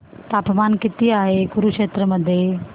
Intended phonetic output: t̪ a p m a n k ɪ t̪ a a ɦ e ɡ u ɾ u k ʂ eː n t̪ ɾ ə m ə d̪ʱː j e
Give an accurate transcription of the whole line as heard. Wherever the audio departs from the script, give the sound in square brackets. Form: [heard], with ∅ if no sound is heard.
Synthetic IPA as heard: t̪ a p m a n k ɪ t̪ [i] a ɦ e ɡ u ɾ u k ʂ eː [∅] t̪ ɾ ə m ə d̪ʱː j e